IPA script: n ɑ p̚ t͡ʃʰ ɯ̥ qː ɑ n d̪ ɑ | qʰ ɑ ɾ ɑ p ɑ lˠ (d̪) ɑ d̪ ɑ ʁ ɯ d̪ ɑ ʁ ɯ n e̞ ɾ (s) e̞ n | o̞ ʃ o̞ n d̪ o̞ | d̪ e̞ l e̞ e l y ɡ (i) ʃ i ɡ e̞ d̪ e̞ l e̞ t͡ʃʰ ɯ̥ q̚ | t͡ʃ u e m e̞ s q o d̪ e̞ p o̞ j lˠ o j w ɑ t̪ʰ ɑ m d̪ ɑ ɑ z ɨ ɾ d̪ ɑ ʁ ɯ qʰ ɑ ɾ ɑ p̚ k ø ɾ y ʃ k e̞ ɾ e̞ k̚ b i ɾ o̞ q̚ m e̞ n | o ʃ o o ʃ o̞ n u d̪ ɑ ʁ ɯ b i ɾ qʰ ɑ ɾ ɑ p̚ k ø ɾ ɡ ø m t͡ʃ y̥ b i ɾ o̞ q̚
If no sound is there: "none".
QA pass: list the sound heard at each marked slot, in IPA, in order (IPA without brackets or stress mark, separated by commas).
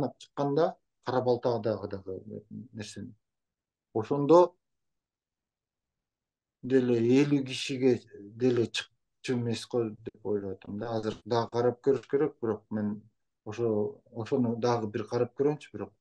t̪, s, i